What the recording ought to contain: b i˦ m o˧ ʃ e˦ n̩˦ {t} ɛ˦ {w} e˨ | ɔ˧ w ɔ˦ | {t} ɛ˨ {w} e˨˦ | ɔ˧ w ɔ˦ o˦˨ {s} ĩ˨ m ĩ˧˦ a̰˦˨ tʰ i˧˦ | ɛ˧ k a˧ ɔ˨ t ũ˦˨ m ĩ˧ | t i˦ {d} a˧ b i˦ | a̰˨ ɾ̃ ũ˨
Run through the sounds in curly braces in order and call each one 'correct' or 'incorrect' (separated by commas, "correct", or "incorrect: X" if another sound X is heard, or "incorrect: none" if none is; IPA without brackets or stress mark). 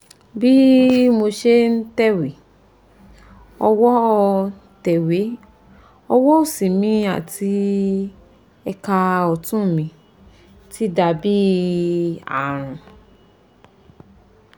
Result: correct, correct, correct, correct, correct, correct